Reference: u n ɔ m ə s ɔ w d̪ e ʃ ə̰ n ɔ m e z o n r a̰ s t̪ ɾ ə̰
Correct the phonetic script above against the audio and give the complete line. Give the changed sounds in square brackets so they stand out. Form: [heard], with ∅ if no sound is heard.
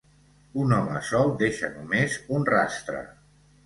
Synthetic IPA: u n ɔ m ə s ɔ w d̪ e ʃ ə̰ n [u] m e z [u] n r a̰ s t̪ ɾ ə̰